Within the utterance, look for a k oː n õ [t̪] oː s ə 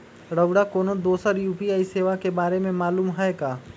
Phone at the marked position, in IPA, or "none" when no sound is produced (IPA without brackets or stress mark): d̪